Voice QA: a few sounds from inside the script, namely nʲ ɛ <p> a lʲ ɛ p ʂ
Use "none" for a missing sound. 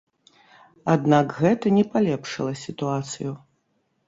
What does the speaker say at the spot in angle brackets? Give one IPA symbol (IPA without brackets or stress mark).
p